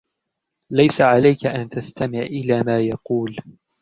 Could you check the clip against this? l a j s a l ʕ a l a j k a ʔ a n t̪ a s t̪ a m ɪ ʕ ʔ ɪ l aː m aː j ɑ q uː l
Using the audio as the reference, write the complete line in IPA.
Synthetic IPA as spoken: l a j s a ʕ a l a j k a ʔ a n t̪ a s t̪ a m ɪ ʕ ʔ ɪ l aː m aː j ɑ q uː l

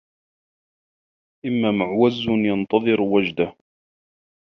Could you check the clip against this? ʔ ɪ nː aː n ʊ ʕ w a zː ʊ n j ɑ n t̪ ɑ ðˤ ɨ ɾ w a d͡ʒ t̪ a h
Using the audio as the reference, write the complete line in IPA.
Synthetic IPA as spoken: ʔ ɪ mː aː m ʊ ʕ w a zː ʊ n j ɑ n t̪ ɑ ðˤ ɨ ɾ w a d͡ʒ d̪ a h

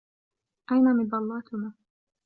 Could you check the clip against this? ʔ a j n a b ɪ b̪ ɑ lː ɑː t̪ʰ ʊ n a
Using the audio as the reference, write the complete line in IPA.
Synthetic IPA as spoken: ʔ a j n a m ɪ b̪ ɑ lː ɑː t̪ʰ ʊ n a

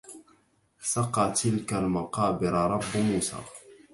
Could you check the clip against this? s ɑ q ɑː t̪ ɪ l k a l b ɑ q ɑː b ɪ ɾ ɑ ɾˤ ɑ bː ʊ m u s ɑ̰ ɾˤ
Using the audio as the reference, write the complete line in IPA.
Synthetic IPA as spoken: s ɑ q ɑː t̪ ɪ l k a l m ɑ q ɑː b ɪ ɾ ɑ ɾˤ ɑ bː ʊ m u s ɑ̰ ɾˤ

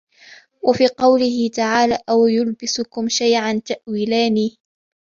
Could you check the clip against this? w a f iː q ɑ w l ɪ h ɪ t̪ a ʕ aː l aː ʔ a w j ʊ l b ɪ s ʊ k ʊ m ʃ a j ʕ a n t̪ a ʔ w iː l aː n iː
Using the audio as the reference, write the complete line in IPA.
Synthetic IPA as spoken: w a f iː q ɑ w l ɪ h ɪ t̪ a ʕ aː l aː ʔ a w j ʊ l b ɪ s ʊ k ʊ m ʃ a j ʕ a n t̪ a ʔ w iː l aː n iː

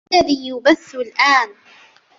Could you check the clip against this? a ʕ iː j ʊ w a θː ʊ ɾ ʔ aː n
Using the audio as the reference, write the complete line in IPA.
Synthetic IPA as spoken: a ð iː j ʊ b a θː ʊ l ʔ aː n

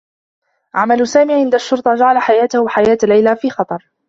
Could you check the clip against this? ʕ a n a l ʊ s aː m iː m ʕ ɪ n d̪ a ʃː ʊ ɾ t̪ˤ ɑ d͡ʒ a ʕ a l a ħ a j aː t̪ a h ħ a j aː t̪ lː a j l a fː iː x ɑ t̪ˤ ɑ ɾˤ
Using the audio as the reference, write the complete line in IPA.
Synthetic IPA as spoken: ʕ a m a l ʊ s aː m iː ʕ ɪ n d̪ a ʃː ʊ ɾ t̪ˤ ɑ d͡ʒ a ʕ a l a ħ a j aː t̪ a h ħ a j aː t̪ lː a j l a f iː x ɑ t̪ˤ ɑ ɾˤ

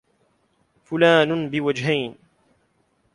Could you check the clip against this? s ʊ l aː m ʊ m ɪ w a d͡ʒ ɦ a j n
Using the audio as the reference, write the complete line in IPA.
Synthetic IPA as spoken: f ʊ l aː n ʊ b ɪ w a d͡ʒ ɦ a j n

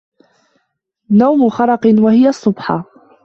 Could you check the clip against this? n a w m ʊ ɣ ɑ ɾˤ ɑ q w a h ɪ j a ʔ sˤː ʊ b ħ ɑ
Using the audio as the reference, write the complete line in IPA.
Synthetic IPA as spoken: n a w m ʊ x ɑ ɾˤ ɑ q w a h ɪ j a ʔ sˤː ʊ b ħ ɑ

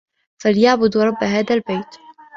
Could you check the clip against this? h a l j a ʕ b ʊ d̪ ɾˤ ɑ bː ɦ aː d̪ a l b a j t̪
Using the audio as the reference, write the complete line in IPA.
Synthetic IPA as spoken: f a l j a ʕ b ʊ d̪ ɾˤ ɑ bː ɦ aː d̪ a l b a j t̪

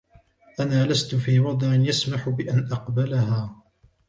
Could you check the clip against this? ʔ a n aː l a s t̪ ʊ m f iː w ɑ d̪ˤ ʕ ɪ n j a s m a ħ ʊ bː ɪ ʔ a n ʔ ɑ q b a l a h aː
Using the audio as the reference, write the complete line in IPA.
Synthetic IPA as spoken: ʔ a n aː l a s t̪ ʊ f iː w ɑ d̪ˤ ʕ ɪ n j a s m a ħ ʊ b ɪ ʔ a n ʔ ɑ q b a l a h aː

